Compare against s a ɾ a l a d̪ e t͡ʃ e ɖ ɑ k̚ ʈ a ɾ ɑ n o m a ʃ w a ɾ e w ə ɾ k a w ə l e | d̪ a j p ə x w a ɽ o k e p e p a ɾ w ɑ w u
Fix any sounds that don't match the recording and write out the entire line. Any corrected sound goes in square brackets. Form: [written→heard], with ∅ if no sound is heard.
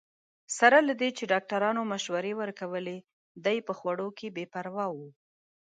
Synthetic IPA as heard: s a ɾ a l a d̪ e t͡ʃ e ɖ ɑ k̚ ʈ a ɾ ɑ n o m a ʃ w a ɾ e w ə ɾ k a w ə l e | d̪ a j p ə x w a ɽ o k e [p→b] e p a ɾ w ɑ w u